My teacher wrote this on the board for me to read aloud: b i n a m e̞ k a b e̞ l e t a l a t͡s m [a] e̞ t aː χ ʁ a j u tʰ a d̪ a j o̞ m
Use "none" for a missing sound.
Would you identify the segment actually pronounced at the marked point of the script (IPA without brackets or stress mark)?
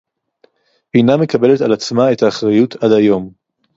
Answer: a